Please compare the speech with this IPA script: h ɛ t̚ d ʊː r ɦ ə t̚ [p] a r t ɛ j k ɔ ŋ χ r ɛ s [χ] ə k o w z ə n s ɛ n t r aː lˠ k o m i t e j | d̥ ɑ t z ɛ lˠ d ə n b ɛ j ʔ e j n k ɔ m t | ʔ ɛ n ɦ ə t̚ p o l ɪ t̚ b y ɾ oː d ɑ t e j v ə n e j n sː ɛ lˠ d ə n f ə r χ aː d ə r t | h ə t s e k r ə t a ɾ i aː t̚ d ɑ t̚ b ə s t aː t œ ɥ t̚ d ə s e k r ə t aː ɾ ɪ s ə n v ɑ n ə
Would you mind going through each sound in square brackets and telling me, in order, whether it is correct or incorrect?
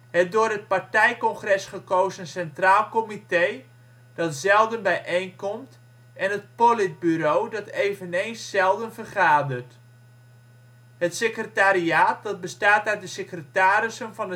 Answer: correct, correct

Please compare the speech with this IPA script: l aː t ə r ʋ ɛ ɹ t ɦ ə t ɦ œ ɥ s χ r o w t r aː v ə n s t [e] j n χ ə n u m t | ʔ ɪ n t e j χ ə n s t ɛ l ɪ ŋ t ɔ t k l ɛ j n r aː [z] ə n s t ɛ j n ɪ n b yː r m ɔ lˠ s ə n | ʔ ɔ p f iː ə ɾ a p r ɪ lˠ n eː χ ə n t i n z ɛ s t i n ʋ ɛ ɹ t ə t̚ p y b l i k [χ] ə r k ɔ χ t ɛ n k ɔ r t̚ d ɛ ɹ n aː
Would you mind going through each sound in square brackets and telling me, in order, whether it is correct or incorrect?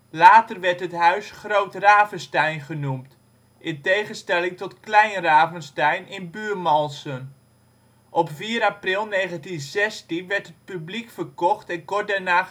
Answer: incorrect, incorrect, incorrect

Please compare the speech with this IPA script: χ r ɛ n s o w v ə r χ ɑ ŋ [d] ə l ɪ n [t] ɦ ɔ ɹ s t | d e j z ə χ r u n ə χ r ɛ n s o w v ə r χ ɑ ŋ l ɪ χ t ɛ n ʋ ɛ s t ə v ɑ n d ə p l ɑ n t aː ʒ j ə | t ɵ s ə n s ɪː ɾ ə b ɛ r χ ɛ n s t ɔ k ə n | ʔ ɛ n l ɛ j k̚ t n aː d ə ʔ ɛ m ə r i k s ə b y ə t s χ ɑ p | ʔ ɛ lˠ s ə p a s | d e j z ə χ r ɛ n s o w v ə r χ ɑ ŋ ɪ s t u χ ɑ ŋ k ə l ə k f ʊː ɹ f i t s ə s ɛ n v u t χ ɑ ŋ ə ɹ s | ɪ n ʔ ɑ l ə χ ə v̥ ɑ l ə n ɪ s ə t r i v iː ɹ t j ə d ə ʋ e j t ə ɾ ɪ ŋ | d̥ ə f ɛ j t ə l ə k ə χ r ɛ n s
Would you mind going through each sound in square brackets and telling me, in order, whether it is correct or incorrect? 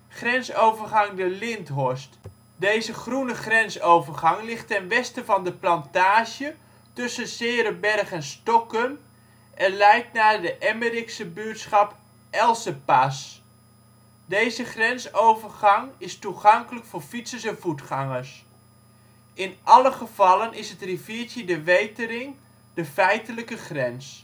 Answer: correct, correct

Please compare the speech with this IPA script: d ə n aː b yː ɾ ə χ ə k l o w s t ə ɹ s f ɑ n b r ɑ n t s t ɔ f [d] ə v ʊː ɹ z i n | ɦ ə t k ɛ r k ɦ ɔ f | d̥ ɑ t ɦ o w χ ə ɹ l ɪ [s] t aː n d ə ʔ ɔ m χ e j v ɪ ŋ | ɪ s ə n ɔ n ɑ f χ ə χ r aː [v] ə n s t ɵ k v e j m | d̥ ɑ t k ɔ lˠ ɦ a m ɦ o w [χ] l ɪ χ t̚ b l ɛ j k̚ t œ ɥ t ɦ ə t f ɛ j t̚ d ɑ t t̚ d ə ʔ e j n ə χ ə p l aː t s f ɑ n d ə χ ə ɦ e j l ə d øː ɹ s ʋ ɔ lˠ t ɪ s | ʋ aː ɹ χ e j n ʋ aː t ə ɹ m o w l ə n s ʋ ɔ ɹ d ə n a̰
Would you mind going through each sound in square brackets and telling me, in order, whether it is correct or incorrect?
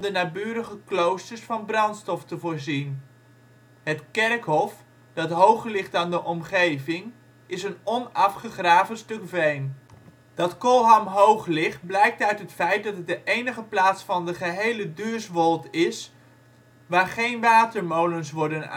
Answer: incorrect, incorrect, correct, correct

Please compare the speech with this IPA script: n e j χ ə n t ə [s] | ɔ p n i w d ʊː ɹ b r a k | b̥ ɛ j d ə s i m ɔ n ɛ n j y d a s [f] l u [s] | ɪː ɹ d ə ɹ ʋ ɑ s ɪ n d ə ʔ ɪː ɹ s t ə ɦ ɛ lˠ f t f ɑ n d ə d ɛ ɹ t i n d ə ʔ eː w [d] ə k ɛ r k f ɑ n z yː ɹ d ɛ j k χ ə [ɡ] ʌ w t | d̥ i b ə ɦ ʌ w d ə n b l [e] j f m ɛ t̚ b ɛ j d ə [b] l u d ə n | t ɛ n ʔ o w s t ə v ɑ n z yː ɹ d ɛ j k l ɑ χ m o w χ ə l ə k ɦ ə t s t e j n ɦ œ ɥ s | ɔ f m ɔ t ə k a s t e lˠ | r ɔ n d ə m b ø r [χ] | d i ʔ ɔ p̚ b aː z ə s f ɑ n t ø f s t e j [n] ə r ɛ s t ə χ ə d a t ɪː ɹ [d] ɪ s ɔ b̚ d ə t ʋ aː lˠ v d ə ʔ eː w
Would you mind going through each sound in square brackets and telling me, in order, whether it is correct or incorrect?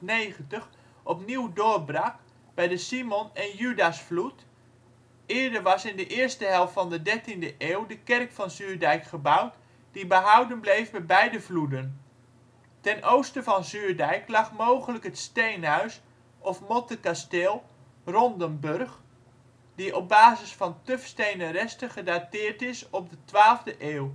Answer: incorrect, correct, incorrect, correct, incorrect, correct, incorrect, correct, correct, incorrect

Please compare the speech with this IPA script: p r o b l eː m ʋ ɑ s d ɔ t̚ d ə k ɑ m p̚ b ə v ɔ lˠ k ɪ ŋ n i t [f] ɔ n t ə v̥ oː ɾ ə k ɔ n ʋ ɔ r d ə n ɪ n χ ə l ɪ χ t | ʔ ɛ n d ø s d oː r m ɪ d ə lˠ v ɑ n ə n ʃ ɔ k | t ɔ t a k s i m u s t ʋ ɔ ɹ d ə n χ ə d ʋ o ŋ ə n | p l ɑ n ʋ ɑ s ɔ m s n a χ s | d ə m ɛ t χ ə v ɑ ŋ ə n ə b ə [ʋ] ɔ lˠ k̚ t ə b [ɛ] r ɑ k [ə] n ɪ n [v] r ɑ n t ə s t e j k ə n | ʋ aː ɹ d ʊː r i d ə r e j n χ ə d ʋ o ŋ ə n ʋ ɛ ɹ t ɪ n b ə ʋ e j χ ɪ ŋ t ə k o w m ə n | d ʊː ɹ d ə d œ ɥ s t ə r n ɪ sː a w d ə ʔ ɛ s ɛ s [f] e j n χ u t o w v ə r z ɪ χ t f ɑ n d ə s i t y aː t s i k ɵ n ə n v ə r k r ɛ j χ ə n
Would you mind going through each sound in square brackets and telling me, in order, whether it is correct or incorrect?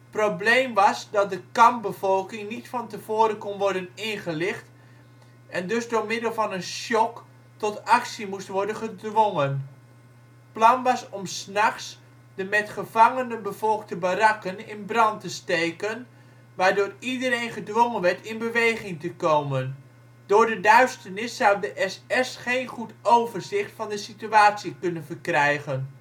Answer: correct, incorrect, incorrect, correct, incorrect, incorrect

